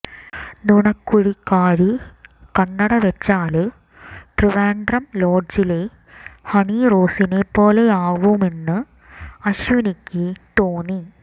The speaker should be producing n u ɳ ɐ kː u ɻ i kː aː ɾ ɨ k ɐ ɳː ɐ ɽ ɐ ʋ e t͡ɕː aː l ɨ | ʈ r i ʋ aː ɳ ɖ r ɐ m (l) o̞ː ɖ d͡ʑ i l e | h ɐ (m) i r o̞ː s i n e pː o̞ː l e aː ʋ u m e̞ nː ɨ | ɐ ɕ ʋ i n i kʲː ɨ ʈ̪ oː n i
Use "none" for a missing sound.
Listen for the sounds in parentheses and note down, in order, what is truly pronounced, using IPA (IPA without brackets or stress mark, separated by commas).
l, ɳ